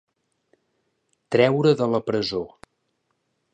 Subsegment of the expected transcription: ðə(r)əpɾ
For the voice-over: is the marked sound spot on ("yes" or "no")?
no